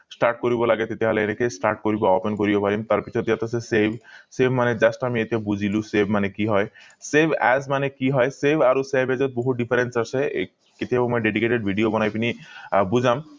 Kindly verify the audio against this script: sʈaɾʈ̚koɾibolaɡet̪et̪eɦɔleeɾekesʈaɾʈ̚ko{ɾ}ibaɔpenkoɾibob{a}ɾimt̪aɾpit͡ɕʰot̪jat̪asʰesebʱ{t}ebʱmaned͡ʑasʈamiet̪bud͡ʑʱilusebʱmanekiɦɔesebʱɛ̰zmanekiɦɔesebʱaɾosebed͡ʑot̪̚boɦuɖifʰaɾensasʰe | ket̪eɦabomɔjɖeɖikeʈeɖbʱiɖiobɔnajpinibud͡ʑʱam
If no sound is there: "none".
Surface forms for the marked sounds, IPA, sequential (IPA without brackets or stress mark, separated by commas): ɾ, a, s